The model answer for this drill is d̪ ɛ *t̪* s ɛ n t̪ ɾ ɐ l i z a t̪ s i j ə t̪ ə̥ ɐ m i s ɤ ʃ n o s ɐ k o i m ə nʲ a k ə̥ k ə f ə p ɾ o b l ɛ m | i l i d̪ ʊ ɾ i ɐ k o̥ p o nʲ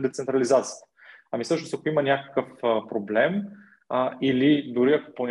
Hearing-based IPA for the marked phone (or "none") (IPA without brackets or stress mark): t̪